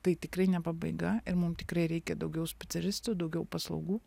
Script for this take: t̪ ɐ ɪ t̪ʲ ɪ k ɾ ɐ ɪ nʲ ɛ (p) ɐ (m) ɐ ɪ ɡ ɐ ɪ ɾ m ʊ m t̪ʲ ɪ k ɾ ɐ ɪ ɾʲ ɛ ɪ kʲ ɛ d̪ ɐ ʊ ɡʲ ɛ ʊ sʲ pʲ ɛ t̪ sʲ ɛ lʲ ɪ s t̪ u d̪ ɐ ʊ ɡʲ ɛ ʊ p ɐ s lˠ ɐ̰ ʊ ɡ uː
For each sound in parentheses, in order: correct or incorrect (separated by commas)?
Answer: correct, incorrect